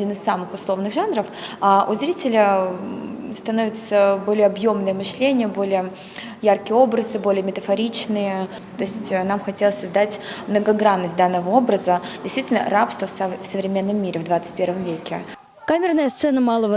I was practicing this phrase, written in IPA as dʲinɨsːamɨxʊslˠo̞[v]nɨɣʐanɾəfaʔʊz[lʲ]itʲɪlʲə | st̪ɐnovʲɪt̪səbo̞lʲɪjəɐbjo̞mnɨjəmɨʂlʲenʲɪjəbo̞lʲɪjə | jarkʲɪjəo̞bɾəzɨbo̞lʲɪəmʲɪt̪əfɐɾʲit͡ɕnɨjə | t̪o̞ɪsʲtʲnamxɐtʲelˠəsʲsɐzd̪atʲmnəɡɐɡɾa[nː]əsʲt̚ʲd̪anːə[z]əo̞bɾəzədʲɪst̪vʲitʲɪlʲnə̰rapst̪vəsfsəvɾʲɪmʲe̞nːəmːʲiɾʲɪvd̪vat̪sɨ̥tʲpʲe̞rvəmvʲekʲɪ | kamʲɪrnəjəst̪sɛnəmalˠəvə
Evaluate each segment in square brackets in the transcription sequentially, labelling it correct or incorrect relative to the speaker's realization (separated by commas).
correct, incorrect, correct, incorrect